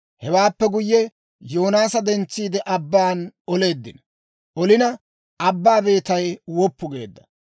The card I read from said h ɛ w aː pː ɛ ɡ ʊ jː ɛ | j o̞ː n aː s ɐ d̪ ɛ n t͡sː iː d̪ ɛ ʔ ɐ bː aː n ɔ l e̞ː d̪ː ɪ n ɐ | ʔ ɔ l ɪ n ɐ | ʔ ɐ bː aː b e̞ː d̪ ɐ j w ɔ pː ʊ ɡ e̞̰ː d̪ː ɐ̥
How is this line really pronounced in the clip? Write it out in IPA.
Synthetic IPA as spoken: h ɛ w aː pː ɛ ɡ ʊ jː ɛ | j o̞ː n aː s ɐ d̪ ɛ n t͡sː iː d̪ ɛ ʔ ɐ bː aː n ɔ l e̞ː d̪ː ɪ n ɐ | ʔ ɔ l ɪ n ɐ | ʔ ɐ bː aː b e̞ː t̪ ɐ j w ɔ pː ʊ ɡ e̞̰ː d̪ː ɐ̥